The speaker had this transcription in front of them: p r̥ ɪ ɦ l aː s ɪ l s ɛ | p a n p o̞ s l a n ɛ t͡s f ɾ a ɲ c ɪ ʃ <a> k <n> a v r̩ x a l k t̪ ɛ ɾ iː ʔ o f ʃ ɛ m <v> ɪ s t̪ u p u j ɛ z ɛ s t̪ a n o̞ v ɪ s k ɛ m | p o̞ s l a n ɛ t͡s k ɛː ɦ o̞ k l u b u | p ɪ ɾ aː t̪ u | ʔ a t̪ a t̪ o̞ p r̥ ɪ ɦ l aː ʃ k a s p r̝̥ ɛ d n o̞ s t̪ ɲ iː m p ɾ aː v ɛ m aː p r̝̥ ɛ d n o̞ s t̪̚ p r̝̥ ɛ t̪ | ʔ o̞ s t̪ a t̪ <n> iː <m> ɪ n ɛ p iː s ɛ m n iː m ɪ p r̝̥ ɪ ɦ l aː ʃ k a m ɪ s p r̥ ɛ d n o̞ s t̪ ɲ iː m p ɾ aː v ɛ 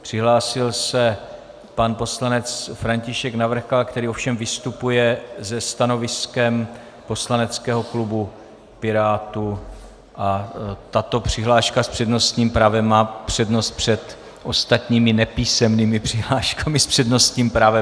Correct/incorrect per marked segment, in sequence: incorrect, correct, correct, incorrect, correct

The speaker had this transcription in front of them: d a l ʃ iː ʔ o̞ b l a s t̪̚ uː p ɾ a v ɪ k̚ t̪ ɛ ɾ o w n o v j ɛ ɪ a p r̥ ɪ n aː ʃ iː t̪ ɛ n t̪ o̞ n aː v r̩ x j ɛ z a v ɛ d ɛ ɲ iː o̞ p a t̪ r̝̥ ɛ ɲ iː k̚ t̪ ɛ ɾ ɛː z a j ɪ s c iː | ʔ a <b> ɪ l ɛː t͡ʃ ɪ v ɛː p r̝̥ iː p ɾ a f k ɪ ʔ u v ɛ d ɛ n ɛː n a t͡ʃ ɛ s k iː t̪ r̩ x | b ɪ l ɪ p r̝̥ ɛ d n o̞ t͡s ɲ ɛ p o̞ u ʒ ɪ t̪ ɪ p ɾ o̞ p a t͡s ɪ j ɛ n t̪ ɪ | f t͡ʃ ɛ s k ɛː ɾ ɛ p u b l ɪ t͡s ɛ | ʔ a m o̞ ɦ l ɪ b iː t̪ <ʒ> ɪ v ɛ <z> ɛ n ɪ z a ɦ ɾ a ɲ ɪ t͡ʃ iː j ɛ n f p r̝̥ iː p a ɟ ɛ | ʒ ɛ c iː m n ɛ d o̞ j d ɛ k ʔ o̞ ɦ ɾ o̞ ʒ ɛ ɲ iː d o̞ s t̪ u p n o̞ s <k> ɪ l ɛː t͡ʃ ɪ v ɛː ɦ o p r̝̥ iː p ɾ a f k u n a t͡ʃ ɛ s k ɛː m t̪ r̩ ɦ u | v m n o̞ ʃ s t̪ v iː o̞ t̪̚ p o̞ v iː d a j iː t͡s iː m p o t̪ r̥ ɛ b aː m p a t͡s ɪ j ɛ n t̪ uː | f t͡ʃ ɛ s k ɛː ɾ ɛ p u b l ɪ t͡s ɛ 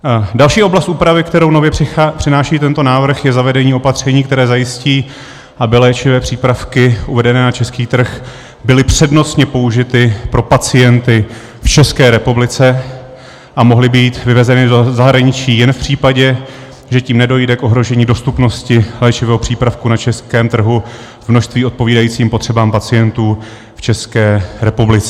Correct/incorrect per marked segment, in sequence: correct, incorrect, correct, incorrect

